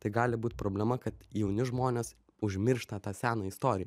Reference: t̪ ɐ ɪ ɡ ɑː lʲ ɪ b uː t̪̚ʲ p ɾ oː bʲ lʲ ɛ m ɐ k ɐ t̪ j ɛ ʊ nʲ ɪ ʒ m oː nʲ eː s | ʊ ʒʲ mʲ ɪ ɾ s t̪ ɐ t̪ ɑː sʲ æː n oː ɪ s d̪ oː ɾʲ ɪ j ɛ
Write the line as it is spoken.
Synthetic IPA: t̪ ɐ ɪ ɡ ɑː lʲ ɪ b uː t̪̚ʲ p ɾ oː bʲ lʲ ɛ m ɐ k ɐ t̪ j ɛ ʊ nʲ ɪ ʒ m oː nʲ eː s | ʊ ʒʲ mʲ ɪ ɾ ʃ t̪ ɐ t̪ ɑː sʲ æː n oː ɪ s t̪ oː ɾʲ ɪ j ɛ